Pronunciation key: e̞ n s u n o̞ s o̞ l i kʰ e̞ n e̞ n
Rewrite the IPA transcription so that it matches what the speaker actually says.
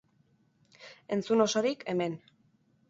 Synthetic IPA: e̞ n t͡s u n o̞ s o̞ ɾ i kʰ e̞ m e̞ n